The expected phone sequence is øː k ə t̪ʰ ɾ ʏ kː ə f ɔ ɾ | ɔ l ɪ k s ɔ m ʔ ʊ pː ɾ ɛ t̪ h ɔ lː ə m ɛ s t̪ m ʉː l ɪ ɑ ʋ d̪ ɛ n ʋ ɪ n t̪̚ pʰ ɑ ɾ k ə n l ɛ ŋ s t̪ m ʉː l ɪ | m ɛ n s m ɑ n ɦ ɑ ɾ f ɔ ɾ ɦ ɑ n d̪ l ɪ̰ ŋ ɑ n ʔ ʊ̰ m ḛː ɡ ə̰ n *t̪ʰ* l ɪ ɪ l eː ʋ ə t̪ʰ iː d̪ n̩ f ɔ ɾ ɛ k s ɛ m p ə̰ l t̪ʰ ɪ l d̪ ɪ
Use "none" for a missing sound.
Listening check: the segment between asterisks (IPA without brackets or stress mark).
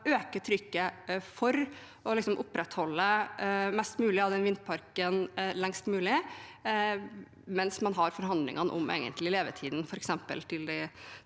t̪